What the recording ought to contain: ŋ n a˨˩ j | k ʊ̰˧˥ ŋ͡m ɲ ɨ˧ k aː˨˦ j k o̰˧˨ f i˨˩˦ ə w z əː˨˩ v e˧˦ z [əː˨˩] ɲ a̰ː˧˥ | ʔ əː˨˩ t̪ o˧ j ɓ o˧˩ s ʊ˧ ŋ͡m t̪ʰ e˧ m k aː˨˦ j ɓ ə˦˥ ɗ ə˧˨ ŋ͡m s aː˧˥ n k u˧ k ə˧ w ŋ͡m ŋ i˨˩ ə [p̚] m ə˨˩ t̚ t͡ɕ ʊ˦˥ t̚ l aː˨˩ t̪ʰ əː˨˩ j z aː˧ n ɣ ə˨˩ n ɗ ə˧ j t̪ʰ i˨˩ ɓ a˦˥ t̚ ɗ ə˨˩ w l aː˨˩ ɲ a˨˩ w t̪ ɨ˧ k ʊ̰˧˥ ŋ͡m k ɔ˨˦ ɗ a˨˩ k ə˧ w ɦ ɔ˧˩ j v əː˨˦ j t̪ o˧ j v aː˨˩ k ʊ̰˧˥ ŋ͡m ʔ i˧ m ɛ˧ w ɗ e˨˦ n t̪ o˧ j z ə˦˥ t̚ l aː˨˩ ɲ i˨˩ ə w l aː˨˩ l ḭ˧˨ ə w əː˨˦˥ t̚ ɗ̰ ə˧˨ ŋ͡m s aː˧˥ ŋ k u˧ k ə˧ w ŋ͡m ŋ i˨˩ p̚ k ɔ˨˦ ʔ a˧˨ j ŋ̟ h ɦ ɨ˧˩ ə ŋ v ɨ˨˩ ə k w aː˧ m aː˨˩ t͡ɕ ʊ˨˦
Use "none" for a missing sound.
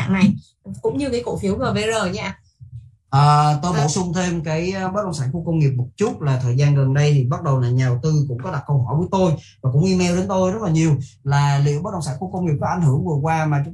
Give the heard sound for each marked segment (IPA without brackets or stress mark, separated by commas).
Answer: əː˨˩, p̚